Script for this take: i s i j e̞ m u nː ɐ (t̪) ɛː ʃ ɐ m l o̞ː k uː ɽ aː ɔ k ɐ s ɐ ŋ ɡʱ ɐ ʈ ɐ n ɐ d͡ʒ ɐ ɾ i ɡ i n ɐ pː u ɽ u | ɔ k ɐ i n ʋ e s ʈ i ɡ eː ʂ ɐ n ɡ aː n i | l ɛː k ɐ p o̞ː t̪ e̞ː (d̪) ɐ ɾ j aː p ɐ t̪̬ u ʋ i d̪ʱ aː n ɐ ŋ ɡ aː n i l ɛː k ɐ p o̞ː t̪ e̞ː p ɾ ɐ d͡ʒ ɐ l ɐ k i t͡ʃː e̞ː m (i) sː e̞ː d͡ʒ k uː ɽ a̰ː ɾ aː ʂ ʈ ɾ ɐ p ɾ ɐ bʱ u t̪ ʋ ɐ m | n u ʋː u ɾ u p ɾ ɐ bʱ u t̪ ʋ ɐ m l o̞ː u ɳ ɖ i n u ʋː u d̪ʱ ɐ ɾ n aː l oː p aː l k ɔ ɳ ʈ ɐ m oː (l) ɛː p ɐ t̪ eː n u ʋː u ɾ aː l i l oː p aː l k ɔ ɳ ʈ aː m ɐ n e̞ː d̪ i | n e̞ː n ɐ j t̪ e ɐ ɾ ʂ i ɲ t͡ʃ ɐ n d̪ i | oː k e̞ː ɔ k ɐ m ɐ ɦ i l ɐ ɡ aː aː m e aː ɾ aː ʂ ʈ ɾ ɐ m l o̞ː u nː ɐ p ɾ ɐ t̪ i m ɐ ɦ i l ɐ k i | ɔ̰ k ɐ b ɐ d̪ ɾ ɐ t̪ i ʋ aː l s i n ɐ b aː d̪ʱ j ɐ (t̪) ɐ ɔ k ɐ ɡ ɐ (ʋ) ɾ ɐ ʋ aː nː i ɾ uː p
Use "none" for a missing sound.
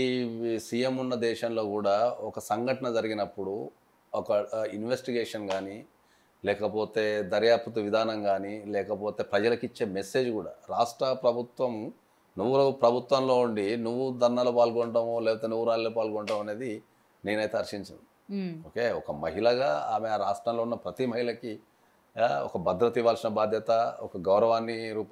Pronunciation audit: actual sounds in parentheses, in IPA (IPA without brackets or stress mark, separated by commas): d̪, d̪, e, l, t̪, w